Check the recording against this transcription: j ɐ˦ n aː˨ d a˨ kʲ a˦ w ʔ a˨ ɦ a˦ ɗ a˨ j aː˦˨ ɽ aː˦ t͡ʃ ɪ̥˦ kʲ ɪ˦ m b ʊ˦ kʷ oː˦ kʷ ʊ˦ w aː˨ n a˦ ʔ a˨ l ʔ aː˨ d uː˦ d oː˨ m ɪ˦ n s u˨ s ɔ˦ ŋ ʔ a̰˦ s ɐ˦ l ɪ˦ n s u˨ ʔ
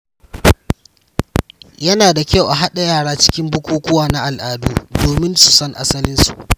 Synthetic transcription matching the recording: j ɐ˦ n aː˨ d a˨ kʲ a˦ w ʔ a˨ ɦ a˦ ɗ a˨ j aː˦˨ ɽ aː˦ t͡ʃ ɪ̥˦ kʲ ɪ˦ m b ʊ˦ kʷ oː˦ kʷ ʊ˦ w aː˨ n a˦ ʔ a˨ l ʔ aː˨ d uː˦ d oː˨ m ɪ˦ n s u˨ s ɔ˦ ŋ ʔ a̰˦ s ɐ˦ l ɪ˦ n s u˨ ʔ